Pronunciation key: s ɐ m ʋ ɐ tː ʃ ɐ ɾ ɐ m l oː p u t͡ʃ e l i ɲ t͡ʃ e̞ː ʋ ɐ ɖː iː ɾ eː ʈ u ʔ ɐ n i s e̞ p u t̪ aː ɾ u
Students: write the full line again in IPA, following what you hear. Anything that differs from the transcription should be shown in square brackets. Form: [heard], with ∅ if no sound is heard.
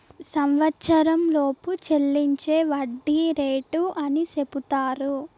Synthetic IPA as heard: s ɐ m ʋ ɐ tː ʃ ɐ ɾ ɐ m l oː p u t͡ʃ e [lː] i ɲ t͡ʃ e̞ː ʋ ɐ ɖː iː ɾ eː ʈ u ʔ ɐ n i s e̞ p u t̪ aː ɾ u